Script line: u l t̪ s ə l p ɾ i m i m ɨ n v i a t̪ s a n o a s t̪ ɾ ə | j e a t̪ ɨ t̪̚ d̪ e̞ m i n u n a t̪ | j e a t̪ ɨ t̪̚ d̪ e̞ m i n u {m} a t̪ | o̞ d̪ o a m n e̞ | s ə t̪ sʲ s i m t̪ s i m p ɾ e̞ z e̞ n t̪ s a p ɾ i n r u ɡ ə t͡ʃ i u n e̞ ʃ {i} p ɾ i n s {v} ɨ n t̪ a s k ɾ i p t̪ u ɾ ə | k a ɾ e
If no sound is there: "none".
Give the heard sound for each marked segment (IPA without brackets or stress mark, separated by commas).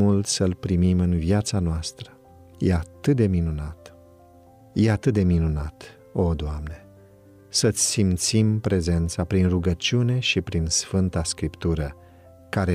n, i, f